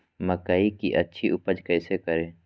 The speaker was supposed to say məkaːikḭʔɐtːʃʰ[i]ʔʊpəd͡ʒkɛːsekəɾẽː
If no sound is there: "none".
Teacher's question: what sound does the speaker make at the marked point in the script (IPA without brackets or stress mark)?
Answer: i